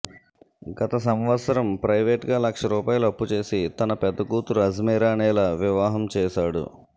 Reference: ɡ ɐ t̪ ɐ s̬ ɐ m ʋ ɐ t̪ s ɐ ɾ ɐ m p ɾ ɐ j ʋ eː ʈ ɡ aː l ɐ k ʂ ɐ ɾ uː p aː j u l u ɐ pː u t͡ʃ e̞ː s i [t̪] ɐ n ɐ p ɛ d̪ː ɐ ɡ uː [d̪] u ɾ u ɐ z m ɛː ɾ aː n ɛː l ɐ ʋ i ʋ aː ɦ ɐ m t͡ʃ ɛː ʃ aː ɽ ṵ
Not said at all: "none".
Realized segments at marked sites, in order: t̪, t̪

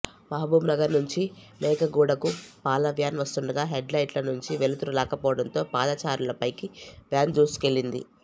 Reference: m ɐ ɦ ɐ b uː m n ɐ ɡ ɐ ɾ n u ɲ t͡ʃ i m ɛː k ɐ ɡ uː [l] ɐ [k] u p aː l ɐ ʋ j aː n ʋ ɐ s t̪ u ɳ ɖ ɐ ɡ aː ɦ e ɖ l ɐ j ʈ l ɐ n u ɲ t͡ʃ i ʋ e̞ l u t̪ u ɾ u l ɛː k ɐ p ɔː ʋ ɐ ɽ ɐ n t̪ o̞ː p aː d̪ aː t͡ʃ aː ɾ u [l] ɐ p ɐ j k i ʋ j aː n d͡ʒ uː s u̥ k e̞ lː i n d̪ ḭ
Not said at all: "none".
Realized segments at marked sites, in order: ɽ, k, l

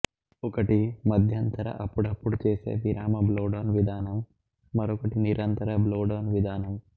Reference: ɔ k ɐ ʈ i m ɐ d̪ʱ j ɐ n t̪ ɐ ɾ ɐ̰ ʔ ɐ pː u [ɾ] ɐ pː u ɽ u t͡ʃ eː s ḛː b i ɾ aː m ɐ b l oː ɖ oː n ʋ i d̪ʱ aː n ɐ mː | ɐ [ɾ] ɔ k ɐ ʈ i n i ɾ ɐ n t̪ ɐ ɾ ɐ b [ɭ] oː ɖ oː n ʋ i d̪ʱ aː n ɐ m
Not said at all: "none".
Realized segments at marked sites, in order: ɽ, ɾ, l

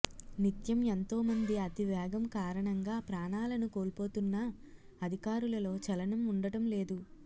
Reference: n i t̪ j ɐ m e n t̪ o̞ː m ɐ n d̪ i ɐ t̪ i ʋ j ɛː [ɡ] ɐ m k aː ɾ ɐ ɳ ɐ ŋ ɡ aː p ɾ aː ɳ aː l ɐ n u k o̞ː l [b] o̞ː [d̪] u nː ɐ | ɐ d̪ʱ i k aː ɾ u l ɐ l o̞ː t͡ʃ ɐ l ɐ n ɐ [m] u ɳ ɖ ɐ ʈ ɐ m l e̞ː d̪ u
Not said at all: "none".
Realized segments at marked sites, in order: ɡ, p, t̪, m

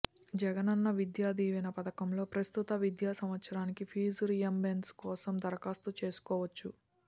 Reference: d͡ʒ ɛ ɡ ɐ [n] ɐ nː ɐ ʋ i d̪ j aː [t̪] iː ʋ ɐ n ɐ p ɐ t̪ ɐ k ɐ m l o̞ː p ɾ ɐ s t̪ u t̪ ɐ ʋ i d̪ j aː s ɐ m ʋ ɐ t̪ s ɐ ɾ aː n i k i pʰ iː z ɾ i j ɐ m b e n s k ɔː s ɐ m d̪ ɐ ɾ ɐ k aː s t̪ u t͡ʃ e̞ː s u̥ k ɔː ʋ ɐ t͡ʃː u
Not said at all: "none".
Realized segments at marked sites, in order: n, d̪

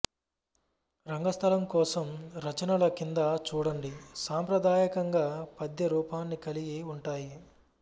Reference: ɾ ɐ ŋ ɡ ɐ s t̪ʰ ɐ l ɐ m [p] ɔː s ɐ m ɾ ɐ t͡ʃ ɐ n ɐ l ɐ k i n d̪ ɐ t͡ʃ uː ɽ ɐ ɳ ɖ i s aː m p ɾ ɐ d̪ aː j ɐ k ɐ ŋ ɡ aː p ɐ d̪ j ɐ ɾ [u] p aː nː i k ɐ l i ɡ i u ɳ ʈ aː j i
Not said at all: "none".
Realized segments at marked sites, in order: k, uː

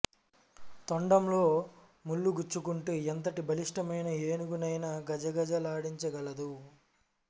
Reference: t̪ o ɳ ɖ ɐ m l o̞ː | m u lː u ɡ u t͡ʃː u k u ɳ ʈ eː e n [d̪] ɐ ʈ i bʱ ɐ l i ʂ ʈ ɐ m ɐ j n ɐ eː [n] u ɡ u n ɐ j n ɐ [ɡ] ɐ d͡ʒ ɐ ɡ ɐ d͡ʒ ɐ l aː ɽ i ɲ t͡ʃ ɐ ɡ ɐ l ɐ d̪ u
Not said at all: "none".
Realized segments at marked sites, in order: t̪, n, ɡ

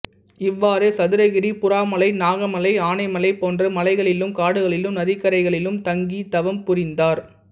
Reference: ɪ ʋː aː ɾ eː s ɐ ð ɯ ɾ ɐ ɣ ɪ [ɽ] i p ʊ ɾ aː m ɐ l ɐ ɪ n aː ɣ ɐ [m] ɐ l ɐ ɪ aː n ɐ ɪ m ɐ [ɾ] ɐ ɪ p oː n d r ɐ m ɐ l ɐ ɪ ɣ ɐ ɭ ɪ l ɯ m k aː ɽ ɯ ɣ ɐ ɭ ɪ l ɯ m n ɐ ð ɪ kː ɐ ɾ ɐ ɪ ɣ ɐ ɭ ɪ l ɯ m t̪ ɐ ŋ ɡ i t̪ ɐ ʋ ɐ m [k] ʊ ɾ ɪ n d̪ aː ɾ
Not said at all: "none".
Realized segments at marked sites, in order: ɾ, m, l, p

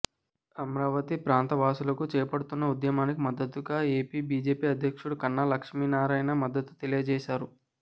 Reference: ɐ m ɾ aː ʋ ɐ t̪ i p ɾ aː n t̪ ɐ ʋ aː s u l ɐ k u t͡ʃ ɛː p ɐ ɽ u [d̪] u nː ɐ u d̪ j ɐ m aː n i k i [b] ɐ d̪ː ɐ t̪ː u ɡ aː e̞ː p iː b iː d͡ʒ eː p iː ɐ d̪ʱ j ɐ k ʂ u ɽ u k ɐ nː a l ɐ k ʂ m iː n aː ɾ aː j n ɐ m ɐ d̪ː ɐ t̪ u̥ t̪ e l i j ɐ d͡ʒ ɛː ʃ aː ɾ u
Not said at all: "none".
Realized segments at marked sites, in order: t̪, m

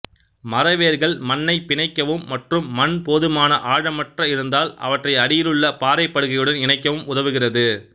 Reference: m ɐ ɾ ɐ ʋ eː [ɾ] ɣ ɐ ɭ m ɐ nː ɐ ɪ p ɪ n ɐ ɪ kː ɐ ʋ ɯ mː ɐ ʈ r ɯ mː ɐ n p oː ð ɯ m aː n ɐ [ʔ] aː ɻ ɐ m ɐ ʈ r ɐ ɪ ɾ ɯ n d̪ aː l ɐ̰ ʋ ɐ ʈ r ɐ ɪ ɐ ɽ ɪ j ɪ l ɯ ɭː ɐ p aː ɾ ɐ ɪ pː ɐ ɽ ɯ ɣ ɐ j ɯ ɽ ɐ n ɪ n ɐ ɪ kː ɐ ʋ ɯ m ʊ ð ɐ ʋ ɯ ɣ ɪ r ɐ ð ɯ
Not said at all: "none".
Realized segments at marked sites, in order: ɾ, ʔ

